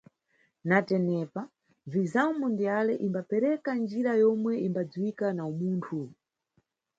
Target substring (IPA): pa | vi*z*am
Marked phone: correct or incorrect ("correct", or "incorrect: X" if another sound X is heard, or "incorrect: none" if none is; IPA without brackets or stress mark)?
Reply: correct